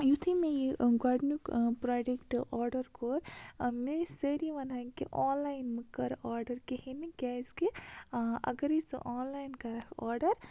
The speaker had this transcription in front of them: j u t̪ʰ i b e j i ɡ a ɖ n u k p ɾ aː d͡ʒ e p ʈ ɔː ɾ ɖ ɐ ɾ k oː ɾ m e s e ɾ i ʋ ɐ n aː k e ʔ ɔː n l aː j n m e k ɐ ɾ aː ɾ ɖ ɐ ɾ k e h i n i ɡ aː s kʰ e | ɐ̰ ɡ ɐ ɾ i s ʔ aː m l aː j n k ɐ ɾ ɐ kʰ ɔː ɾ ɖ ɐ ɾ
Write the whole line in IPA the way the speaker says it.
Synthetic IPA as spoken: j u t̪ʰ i m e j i ɡ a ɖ n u k p ɾ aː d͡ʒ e k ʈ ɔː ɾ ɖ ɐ ɾ k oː ɾ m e s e ɾ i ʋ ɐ n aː k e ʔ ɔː n l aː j n m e k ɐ ɾ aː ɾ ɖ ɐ ɾ k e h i n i ɡ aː s k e | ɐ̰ ɡ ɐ ɾ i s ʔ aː n l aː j n k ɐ ɾ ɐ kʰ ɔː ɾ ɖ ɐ ɾ